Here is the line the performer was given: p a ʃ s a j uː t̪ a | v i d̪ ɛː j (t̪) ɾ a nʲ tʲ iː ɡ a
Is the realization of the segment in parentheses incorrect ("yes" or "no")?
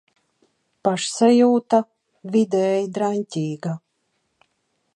yes